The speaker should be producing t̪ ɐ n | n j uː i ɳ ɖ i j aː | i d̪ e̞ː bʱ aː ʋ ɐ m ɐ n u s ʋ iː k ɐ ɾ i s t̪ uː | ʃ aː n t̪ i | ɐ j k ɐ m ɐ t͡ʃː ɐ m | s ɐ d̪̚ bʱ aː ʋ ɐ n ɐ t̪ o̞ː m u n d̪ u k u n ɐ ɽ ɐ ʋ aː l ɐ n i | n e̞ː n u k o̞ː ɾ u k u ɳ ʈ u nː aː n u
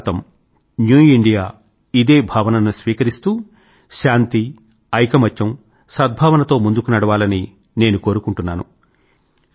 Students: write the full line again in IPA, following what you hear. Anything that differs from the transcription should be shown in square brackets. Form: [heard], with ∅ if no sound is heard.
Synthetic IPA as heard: t̪ ɐ [m] | n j uː i ɳ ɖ i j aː | i d̪ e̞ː bʱ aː ʋ ɐ [n] ɐ n u s ʋ iː k ɐ ɾ i s t̪ uː | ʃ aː n t̪ i | ɐ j k ɐ m ɐ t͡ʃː ɐ m | s ɐ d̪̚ bʱ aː ʋ ɐ n ɐ t̪ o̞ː m u n d̪ u k u n ɐ ɽ ɐ ʋ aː l ɐ n i | n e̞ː n u k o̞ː ɾ u k u ɳ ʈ u nː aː n u